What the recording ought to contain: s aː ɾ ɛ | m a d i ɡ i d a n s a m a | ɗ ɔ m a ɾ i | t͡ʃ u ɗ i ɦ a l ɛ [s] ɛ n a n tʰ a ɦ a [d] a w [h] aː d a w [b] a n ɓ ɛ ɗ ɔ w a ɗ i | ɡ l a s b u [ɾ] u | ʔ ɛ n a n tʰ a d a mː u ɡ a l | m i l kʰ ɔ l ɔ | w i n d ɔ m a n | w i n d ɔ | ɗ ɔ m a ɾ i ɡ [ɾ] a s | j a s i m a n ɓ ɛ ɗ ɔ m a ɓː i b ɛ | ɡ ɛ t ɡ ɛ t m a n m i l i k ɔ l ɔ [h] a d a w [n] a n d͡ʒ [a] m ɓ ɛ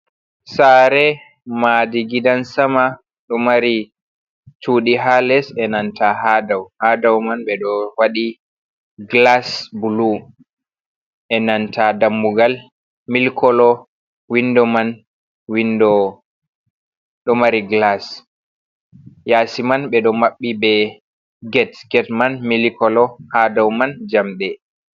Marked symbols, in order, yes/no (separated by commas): yes, yes, yes, no, no, no, yes, no, yes